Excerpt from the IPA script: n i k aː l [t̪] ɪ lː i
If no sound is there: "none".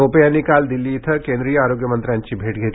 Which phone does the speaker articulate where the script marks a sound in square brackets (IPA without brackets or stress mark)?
d̪